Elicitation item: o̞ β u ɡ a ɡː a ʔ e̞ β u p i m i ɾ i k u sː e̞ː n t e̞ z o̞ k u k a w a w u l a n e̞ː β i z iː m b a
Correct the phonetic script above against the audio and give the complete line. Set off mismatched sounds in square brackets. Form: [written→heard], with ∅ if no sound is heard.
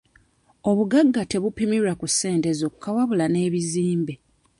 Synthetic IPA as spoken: o̞ β u ɡ a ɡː a [ʔ→t] e̞ β u p i m i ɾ [i→a] k u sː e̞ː n t e̞ z o̞ k u k a w a [w→β] u l a n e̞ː β i z iː m b [a→e]